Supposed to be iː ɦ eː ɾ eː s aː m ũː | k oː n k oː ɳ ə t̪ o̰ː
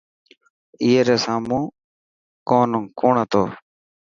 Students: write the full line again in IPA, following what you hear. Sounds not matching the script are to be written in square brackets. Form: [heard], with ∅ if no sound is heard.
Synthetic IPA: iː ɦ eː ɾ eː s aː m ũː | k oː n k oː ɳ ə t̪ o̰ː